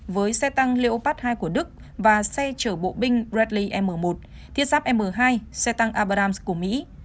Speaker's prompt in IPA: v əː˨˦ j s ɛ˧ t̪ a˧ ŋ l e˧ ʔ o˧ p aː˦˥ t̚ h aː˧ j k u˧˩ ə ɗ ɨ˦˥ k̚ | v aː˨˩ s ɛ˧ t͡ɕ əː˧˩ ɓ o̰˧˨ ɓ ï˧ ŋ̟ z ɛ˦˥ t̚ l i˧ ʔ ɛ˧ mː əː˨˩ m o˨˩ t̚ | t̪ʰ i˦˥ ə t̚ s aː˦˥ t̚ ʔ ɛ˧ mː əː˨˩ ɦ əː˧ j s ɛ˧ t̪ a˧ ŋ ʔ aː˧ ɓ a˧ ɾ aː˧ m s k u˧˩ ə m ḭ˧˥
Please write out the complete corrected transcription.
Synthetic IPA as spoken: v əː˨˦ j s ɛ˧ t̪ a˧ ŋ l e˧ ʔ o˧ p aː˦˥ t̚ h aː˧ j k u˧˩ ə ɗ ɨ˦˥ k̚ | v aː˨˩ s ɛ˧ t͡ɕ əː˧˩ ɓ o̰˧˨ ɓ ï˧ ŋ̟ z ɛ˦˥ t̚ l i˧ ʔ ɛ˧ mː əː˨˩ m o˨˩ t̚ | t̪ʰ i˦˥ ə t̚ s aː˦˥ p̚ ʔ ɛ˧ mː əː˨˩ ɦ aː˧ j s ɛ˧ t̪ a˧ ŋ ʔ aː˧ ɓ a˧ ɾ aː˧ m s k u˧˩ ə m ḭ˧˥

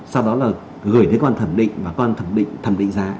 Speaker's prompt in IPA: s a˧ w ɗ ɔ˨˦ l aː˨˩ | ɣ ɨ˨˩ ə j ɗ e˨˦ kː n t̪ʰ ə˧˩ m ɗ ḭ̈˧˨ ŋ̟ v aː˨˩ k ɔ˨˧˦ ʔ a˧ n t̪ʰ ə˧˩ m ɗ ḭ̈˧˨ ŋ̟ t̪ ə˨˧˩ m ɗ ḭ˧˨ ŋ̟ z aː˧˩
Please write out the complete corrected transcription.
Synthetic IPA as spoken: s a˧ w ɗ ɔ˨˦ l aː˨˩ | ɣ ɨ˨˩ ə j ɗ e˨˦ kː n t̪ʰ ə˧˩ m ɗ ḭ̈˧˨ ŋ̟ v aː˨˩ k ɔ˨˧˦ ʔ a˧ n t̪ʰ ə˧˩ m ɗ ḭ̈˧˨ ŋ̟ t̪ʰ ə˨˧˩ m ɗ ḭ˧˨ ŋ̟ z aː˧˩

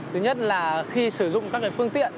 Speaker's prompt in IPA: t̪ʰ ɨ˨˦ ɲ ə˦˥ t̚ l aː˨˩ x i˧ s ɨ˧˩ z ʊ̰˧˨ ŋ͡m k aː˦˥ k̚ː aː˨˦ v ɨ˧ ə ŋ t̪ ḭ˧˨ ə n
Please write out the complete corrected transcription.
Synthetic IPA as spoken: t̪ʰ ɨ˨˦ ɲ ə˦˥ t̚ l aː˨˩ x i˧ s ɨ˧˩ z ʊ̰˧˨ ŋ͡m k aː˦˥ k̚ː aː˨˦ f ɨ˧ ə ŋ t̪ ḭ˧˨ ə n

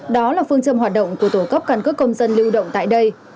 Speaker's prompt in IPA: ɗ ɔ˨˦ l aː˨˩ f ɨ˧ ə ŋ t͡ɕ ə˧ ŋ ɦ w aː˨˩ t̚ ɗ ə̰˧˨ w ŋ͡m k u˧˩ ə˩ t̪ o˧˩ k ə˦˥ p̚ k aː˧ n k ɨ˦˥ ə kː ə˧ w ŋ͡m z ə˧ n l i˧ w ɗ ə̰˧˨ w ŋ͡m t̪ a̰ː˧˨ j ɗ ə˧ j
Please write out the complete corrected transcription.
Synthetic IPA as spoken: ɗ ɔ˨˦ l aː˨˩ f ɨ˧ ə ŋ t͡ɕ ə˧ m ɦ w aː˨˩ t̚ ɗ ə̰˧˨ w ŋ͡m k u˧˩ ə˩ t̪ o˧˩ k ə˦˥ p̚ k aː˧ n k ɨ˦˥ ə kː ə˧ w ŋ͡m z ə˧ n l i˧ w ɗ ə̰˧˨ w ŋ͡m t̪ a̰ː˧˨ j ɗ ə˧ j

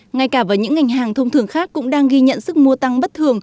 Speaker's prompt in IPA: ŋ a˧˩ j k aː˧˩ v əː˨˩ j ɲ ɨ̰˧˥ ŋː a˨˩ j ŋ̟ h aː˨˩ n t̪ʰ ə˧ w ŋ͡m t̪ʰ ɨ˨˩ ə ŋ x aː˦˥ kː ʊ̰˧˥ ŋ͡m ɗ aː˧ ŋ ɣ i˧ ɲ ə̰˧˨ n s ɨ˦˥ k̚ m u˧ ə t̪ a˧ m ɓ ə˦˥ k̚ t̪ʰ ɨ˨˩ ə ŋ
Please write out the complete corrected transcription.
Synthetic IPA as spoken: ŋ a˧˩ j k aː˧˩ v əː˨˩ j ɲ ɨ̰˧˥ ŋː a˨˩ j ŋ̟ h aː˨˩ ŋ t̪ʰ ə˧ w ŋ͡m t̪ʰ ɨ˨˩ ə ŋ x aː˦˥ kː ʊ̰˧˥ ŋ͡m ɗ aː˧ ŋ ɣ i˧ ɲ ə̰˧˨ n s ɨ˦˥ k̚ m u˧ ə t̪ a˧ ŋ ɓ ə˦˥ t̚ t̪ʰ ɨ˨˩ ə ŋ

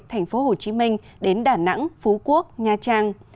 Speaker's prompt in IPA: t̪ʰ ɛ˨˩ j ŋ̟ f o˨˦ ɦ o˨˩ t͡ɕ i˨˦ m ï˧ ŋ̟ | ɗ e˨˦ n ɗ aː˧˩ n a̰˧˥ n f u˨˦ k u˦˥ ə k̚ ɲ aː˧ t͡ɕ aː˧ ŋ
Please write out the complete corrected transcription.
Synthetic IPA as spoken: t̪ʰ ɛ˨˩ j ŋ̟ f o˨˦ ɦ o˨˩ t͡ɕ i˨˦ m ï˧ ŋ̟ | ɗ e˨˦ n ɗ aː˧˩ n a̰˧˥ ŋ f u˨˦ k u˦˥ ə k̚ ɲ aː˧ t͡ɕ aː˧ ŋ

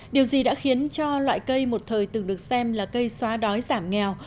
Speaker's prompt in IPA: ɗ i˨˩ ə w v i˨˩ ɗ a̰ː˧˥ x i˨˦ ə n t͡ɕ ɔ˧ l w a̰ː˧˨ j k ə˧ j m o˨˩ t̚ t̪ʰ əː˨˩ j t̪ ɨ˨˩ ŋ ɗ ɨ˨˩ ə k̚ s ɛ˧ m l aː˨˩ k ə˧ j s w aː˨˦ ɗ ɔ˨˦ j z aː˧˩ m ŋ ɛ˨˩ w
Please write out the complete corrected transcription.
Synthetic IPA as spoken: ɗ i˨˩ ə w z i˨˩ ɗ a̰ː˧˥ x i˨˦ ə n t͡ɕ ɔ˧ l w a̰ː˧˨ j k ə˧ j m o˨˩ t̚ t̪ʰ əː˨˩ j t̪ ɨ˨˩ ŋ ɗ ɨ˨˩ ə k̚ s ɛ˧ m l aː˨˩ k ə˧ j s w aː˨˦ ɗ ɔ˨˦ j z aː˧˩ m ŋ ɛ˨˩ w

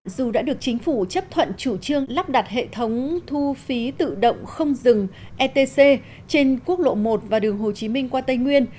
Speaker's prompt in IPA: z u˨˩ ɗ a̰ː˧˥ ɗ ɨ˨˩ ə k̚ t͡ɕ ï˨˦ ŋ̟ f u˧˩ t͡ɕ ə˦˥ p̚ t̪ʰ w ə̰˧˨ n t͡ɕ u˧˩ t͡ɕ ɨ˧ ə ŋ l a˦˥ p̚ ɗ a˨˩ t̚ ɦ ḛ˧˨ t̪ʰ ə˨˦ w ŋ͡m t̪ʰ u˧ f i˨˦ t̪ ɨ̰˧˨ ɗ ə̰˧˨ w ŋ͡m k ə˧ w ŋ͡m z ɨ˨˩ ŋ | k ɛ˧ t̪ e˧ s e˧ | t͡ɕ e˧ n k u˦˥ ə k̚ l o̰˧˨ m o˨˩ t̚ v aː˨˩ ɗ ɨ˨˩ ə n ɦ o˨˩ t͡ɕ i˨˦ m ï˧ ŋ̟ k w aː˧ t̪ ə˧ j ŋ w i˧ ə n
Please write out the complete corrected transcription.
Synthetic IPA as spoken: z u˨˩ ɗ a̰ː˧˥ ɗ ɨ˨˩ ə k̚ t͡ɕ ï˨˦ ŋ̟ f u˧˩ t͡ɕ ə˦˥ p̚ t̪ʰ w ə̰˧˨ n t͡ɕ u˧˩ t͡ɕ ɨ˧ ə ŋ l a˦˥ p̚ ɗ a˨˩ t̚ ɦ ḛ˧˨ t̪ʰ ə˨˦ w ŋ͡m t̪ʰ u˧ f i˨˦ t̪ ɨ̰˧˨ ɗ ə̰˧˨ w ŋ͡m x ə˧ w ŋ͡m z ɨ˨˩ ŋ | ʔ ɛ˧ t̪ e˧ s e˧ | t͡ɕ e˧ n k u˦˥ ə k̚ l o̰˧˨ m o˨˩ t̚ v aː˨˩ ɗ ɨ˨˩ ə ŋ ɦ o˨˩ t͡ɕ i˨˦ m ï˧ ŋ̟ k w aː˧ t̪ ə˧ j ŋ w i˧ ə n

